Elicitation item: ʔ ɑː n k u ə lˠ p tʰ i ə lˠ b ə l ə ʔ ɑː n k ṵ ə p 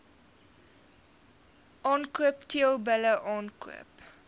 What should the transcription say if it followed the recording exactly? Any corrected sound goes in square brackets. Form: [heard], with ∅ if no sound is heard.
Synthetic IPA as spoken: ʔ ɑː n k u ə [∅] p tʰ i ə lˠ b ə l ə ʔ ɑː n k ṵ ə p